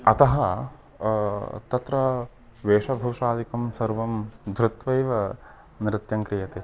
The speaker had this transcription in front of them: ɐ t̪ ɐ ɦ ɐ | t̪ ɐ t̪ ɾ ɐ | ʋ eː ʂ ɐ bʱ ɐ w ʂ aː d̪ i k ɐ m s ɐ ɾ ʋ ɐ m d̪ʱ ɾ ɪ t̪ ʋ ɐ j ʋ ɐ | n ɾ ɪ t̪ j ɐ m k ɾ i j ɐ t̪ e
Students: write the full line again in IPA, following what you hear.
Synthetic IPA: ɐ t̪ ɐ ɦ ɐ | t̪ ɐ t̪ ɾ ɐ | ʋ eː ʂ ɐ bʱ ɐ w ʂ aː d̪ i k ɐ m s ɐ ɾ ʋ ɐ m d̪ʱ ɾ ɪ t̪ ʋ ɐ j ʋ ɐ | n ɾ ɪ t̪ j ɐ ŋ k ɾ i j ɐ t̪ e

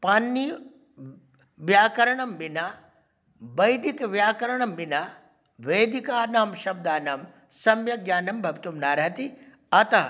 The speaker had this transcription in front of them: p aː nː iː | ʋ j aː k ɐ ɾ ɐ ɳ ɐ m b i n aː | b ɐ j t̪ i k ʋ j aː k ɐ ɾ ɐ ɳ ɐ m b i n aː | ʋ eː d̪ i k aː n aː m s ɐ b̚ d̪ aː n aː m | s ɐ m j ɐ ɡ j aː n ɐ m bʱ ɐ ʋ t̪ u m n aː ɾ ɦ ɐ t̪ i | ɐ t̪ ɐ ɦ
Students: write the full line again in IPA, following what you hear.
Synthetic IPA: p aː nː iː | ʋ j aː k ɐ ɾ ɐ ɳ ɐ m b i n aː | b ɐ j d̪ i k ʋ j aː k ɐ ɾ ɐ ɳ ɐ m b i n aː | ʋ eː d̪ i k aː n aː m ʃ ɐ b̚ d̪ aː n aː m | s ɐ m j ɐ ɡ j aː n ɐ m bʱ ɐ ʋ t̪ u m n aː ɾ ɦ ɐ t̪ i | ɐ t̪ ɐ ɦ

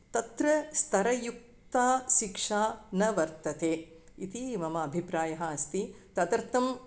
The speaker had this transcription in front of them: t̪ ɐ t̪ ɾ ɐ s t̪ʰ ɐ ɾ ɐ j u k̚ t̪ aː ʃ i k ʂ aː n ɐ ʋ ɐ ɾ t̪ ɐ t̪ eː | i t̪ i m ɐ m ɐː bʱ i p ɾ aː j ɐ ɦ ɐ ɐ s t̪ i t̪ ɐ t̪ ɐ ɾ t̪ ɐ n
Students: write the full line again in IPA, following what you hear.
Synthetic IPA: t̪ ɐ t̪ ɾ ɐ s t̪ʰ ɐ ɾ ɐ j u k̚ t̪ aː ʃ i k ʂ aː n ɐ ʋ ɐ ɾ t̪ ɐ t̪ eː | i t̪ i m ɐ m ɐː bʱ i p ɾ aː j ɐ ɦ ɐ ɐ s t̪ i t̪ ɐ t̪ ɐ ɾ t̪ ɐ m

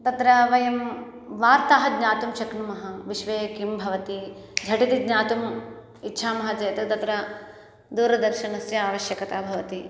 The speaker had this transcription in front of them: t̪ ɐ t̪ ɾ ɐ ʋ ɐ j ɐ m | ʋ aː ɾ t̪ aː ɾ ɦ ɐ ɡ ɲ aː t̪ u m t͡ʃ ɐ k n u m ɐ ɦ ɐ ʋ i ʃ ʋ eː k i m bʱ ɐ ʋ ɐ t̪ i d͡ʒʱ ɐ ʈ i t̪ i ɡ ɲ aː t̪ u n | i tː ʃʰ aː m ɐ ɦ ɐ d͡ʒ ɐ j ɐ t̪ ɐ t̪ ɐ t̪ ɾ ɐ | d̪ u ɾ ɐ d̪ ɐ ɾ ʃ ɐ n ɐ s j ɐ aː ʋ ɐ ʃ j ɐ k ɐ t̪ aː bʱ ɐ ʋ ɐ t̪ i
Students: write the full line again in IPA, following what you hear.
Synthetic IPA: t̪ ɐ t̪ ɾ ɐ ʋ ɐ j ɐ m | ʋ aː ɾ t̪ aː ɦ ɐ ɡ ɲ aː t̪ u m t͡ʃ ɐ k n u m ɐ ɦ ɐ ʋ i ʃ ʋ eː k i m bʱ ɐ ʋ ɐ t̪ i d͡ʒʱ ɐ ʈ i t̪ i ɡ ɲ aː t̪ u m | i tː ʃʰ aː m ɐ ɦ ɐ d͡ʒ ɐ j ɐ t̪ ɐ t̪ ɐ t̪ ɾ ɐ | d̪ uː ɾ ɐ d̪ ɐ ɾ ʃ ɐ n ɐ s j ɐ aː ʋ ɐ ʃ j ɐ k ɐ t̪ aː bʱ ɐ ʋ ɐ t̪ i

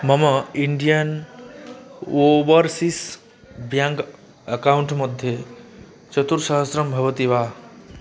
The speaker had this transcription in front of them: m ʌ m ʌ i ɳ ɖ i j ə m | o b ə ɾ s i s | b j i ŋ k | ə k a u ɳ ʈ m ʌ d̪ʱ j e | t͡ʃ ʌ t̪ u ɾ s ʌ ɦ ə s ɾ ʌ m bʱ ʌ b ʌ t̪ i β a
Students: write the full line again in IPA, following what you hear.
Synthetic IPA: m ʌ m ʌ i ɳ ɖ i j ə n | o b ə ɾ s i s | b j a ŋ k | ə k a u ɳ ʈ m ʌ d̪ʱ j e | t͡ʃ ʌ t̪ u ɾ s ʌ ɦ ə s ɾ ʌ m bʱ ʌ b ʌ t̪ i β a

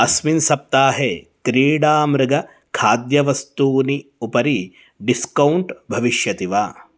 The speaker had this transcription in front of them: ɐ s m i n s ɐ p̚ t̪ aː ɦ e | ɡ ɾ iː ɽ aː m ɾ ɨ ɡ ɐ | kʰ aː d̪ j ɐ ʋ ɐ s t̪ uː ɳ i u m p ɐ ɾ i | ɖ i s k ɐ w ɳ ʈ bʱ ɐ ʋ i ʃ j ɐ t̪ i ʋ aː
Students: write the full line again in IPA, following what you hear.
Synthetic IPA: ɐ s m i n s ɐ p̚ t̪ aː ɦ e | k ɾ iː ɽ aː m ɾ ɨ ɡ ɐ | kʰ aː d̪ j ɐ ʋ ɐ s t̪ uː n i u p ɐ ɾ i | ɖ i s k ɐ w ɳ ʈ bʱ ɐ ʋ i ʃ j ɐ t̪ i ʋ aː

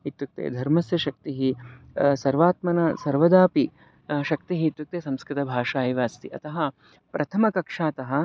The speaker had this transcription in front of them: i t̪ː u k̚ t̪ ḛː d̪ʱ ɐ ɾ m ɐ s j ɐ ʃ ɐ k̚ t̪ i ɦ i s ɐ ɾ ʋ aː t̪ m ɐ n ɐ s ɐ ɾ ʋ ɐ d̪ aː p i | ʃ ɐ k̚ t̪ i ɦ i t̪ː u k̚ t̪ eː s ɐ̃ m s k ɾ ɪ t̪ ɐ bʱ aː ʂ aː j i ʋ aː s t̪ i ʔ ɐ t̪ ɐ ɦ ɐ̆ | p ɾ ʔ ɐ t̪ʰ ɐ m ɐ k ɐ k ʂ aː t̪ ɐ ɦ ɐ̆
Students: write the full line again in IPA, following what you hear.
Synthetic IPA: i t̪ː u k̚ t̪ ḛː d̪ʱ ɐ ɾ m ɐ s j ɐ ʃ ɐ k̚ t̪ i ɦ i s ɐ ɾ ʋ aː t̪ m ɐ n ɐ s ɐ ɾ ʋ ɐ d̪ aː p i | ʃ ɐ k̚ t̪ i ɦ i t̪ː u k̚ t̪ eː s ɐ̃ m s k ɾ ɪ t̪ ɐ bʱ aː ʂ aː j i ʋ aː s t̪ i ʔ ɐ t̪ ɐ ɦ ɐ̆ | p ɾ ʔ ɐ t̪ʰ ɐ m ɐ k ɐ k ʂ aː t̪ ɐ ɦ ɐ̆

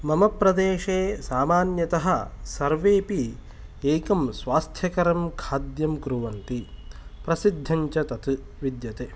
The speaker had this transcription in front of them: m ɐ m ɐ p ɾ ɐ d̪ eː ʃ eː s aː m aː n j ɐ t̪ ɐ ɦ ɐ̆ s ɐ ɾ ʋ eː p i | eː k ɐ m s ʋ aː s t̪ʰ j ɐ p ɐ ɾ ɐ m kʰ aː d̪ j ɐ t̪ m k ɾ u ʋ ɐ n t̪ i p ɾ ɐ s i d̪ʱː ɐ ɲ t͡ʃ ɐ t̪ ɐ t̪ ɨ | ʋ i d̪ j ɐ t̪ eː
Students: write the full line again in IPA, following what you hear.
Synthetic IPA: m ɐ m ɐ p ɾ ɐ d̪ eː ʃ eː s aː m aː n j ɐ t̪ ɐ ɦ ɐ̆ s ɐ ɾ ʋ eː p i | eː k ɐ m s ʋ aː s t̪ʰ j ɐ k ɐ ɾ ɐ m kʰ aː d̪ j ɐ m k ɾ u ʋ ɐ n t̪ i p ɾ ɐ s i d̪ʱː ɐ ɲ t͡ʃ ɐ t̪ ɐ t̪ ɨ | ʋ i d̪ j ɐ t̪ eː

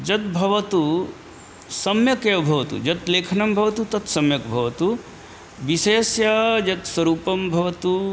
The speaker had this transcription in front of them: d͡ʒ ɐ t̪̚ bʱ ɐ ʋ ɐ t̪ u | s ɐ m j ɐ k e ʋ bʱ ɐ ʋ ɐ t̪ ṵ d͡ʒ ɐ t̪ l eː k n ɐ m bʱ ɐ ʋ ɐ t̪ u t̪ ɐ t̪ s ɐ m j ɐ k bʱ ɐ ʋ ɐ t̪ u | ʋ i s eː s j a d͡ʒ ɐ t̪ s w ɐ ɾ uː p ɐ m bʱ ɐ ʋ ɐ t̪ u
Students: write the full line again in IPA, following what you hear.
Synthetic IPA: d͡ʒ ɐ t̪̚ bʱ ɐ ʋ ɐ t̪ u | s ɐ m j ɐ k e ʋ bʱ ɐ ʋ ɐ t̪ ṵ d͡ʒ ɐ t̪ l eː kʰ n ɐ m bʱ ɐ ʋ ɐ t̪ u t̪ ɐ t̪ s ɐ m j ɐ k bʱ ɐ ʋ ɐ t̪ u | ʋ i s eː s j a d͡ʒ ɐ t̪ s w ɐ ɾ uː p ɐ m bʱ ɐ ʋ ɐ t̪ u

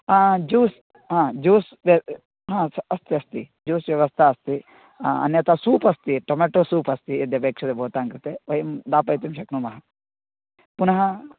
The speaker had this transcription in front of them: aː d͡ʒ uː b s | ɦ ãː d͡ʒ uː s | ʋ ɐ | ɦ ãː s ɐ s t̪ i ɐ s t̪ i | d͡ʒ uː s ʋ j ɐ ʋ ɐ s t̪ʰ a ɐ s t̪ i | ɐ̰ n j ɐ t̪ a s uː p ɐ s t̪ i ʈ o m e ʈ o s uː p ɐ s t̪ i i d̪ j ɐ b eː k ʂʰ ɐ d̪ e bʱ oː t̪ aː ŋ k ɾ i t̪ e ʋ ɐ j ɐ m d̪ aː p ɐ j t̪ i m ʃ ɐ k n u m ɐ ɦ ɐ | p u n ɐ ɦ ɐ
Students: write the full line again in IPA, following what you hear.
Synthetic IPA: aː d͡ʒ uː s | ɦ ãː d͡ʒ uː s | ʋ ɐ | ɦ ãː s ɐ s t̪ i ɐ s t̪ i | d͡ʒ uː s ʋ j ɐ ʋ ɐ s t̪ʰ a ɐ s t̪ i | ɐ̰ n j ɐ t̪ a s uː p ɐ s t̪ i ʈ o m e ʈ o s uː p ɐ s t̪ i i d̪ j ɐ b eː k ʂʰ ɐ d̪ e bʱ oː t̪ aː ŋ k ɾ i t̪ e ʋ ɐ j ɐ m d̪ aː p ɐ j t̪ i m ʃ ɐ k n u m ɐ ɦ ɐ | p u n ɐ ɦ ɐ

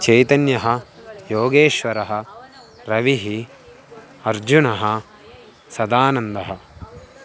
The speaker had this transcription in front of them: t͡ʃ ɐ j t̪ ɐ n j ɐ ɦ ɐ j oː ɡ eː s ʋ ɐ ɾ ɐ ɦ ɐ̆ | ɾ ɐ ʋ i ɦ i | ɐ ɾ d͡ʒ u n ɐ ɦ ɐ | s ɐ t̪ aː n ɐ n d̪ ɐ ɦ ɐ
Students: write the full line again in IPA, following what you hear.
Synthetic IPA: t͡ʃ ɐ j t̪ ɐ n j ɐ ɦ ɐ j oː ɡ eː ʃ ʋ ɐ ɾ ɐ ɦ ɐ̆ | ɾ ɐ ʋ i ɦ i | ɐ ɾ d͡ʒ u n ɐ ɦ ɐ | s ɐ d̪ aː n ɐ n d̪ ɐ ɦ ɐ

